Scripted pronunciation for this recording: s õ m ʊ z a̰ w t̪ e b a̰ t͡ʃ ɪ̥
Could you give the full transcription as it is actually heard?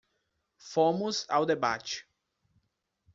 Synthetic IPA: f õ m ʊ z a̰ w d̪ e b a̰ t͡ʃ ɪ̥